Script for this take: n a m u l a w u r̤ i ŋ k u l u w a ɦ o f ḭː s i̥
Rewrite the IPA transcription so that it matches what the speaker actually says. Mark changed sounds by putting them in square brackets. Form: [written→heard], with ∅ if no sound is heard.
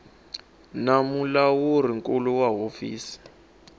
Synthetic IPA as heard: n a m u l a w u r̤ i ŋ k u l u w a ɦ o f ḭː s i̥